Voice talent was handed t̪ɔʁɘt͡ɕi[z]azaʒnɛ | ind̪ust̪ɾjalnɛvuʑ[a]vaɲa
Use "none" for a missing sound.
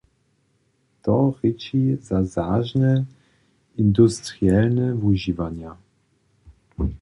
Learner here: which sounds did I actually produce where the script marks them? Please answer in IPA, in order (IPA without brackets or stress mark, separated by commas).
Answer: z, i